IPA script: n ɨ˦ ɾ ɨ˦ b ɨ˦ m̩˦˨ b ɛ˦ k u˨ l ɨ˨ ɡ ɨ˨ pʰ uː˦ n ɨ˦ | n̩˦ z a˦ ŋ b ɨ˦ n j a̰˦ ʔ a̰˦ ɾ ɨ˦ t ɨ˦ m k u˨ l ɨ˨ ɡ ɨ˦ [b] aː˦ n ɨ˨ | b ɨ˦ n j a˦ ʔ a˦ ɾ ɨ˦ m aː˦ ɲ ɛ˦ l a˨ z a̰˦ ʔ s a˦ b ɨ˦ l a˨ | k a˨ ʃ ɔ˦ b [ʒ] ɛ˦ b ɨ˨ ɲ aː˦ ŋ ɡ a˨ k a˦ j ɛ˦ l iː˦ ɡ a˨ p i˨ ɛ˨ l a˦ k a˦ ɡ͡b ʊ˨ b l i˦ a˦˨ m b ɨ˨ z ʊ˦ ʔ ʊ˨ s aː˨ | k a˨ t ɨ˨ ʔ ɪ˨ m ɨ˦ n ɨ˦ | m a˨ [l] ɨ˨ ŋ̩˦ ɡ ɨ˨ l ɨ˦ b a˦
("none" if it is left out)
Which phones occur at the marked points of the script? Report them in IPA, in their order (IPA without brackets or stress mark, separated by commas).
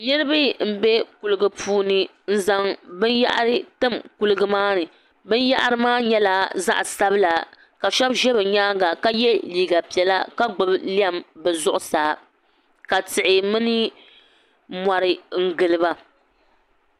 m, ʒ, ɾ